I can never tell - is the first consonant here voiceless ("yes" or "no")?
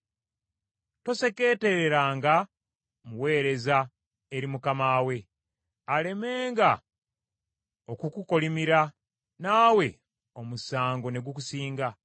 yes